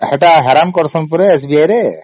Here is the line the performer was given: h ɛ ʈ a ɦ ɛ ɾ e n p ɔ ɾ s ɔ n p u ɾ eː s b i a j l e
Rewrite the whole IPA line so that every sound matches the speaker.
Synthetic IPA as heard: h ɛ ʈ a ɦ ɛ ɾ a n k ɔ ɾ s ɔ n p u ɾ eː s b i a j ɾ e